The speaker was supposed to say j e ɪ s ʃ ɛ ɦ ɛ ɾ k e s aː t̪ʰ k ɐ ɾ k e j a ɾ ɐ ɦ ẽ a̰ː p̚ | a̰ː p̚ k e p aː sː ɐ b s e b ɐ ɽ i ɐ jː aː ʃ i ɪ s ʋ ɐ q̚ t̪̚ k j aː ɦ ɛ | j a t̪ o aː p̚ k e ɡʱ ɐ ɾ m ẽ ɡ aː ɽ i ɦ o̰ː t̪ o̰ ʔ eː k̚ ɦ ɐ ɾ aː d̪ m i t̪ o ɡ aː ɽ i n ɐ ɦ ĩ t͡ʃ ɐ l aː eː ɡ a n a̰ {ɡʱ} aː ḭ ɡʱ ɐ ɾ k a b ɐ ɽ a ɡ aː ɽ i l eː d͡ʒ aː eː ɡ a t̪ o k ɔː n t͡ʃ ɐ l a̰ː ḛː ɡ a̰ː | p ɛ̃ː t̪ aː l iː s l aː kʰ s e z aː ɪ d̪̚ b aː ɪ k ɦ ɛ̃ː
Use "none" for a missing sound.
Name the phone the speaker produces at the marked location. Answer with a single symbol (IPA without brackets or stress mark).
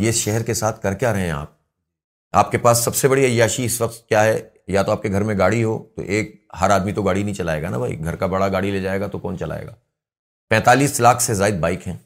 bʱ